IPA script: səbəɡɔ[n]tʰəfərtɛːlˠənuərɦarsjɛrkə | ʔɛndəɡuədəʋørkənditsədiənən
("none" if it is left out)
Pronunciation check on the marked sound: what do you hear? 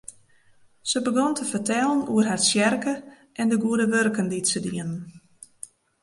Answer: n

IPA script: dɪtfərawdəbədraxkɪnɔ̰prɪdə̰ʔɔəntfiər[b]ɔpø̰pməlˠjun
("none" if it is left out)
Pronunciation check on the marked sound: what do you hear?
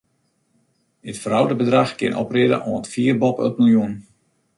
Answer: b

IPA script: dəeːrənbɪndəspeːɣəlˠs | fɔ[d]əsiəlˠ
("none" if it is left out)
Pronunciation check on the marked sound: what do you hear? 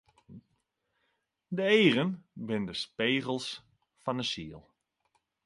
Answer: n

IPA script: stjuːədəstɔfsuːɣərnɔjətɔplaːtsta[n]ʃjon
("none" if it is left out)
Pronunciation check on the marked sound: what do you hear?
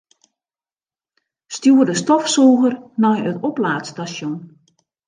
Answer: none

